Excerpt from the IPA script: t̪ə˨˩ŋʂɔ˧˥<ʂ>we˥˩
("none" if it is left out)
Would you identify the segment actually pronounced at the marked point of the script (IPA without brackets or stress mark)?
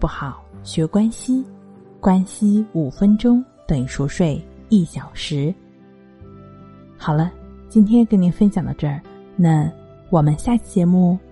ʂ